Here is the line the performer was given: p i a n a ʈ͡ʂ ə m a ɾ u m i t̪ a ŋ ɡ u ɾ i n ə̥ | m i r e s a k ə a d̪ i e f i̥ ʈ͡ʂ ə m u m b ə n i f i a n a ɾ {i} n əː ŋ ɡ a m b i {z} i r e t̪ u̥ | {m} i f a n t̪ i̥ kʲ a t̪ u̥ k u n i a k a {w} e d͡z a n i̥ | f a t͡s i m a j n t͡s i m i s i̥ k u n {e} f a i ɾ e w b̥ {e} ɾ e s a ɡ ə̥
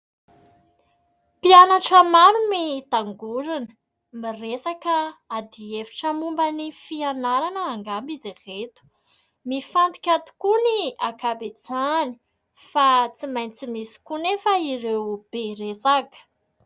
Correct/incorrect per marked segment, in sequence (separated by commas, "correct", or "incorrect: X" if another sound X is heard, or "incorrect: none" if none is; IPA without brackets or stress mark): incorrect: a, correct, correct, incorrect: b, correct, correct